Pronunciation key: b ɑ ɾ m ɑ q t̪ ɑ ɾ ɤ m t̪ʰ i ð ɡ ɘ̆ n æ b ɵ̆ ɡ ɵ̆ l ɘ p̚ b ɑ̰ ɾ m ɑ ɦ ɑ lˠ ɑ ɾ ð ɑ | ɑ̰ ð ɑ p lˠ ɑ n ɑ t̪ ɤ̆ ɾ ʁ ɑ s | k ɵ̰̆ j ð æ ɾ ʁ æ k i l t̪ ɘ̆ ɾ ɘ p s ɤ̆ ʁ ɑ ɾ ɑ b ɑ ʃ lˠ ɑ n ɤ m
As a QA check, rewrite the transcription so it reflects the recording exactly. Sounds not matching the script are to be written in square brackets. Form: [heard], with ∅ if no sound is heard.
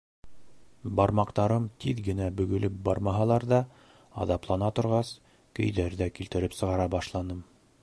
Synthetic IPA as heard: b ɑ ɾ m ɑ q t̪ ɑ ɾ ɤ m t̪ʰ i ð ɡ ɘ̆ n æ b ɵ̆ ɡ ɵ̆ l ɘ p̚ b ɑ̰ ɾ m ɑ ɦ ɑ lˠ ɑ ɾ ð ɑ | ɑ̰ ð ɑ p lˠ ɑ n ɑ t̪ [ŏ] ɾ ʁ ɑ s | k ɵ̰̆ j ð æ ɾ [ð] æ k i l t̪ ɘ̆ ɾ ɘ p s ɤ̆ ʁ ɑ ɾ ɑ b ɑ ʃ lˠ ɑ n ɤ m